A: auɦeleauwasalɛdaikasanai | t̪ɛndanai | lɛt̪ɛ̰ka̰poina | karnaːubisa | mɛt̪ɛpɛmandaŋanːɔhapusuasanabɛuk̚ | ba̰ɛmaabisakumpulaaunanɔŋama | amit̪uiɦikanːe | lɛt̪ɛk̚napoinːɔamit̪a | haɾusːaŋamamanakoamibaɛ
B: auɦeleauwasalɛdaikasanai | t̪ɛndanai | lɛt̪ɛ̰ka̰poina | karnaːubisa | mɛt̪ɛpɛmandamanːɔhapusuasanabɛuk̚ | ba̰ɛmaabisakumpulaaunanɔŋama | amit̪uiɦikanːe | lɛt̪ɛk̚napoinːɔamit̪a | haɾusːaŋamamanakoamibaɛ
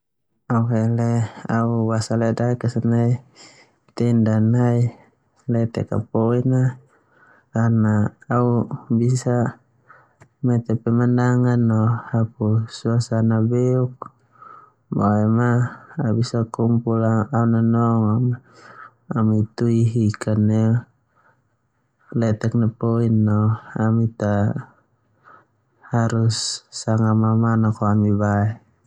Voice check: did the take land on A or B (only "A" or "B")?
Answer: A